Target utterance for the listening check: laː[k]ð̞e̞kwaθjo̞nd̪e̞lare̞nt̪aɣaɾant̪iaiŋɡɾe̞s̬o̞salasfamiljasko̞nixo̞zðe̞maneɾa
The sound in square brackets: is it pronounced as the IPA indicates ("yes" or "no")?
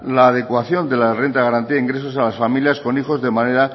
no